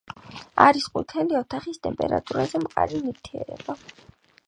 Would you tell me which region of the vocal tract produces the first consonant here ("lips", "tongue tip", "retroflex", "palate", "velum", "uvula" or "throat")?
tongue tip